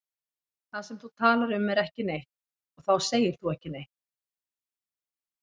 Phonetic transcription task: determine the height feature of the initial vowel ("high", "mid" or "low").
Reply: low